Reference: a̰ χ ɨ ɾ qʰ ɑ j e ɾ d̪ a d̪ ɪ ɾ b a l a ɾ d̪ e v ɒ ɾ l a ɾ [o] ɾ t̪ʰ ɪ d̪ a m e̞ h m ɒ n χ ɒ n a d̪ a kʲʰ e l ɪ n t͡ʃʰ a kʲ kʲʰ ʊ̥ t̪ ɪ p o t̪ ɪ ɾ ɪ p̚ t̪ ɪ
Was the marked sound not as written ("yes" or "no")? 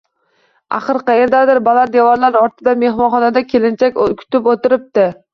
yes